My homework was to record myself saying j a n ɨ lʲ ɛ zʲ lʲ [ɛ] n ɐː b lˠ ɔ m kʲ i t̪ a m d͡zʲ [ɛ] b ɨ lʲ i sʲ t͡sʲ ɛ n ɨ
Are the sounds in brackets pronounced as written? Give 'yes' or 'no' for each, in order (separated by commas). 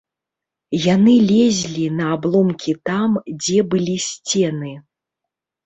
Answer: no, yes